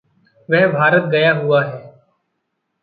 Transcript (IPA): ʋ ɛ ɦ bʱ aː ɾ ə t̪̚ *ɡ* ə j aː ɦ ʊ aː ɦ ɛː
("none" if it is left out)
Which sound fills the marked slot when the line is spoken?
ɡ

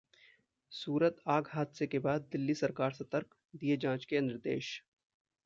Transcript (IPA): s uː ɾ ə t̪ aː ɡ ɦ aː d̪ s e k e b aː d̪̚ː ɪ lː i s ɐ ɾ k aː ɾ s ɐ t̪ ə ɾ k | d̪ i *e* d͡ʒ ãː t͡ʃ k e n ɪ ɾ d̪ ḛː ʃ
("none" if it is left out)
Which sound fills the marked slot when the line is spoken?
e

